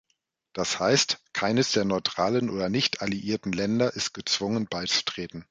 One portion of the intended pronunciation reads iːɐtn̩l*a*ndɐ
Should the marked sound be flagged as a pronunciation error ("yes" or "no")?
yes